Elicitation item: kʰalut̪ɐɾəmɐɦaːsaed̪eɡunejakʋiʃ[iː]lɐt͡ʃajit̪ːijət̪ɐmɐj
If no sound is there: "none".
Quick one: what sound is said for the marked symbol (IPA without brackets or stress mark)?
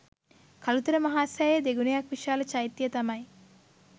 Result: aː